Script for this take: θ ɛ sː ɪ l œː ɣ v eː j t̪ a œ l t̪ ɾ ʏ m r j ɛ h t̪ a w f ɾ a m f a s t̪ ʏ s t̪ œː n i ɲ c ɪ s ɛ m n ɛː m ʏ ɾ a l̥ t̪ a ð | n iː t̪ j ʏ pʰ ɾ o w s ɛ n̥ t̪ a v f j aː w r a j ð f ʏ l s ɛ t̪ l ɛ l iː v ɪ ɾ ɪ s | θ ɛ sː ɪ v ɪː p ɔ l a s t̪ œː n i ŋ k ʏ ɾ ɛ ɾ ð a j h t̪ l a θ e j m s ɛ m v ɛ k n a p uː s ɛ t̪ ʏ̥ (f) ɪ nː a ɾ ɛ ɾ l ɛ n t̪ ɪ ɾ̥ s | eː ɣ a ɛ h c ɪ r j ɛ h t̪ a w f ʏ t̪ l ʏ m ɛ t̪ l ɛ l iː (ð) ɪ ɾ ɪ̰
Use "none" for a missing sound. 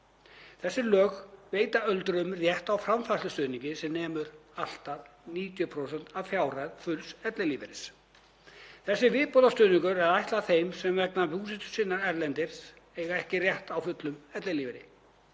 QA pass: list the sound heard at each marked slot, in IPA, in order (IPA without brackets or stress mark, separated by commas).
s, v